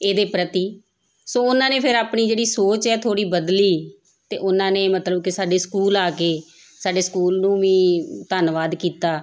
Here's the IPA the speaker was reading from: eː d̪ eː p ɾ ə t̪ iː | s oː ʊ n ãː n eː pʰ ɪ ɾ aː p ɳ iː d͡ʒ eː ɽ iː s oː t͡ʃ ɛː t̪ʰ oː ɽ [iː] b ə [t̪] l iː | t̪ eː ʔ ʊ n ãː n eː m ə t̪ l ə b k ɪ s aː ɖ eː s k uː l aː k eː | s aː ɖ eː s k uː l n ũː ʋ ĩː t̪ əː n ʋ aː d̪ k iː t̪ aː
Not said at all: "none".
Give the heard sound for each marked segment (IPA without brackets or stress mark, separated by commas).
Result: iː, d̪